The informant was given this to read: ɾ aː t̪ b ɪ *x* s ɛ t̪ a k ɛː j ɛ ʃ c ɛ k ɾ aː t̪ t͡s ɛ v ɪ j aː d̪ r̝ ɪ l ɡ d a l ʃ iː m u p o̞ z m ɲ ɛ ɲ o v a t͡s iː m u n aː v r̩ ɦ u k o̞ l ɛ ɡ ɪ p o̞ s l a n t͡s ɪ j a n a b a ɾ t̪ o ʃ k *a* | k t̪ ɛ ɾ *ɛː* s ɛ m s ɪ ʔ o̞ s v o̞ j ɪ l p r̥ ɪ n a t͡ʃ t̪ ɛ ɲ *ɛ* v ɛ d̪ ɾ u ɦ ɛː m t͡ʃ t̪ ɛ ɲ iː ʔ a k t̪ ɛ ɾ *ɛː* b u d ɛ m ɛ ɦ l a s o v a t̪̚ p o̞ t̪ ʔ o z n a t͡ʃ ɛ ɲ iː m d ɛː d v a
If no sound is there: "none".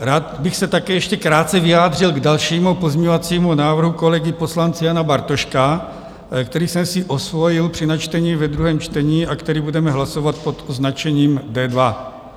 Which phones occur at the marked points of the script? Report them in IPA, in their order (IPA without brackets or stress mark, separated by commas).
x, a, iː, i, iː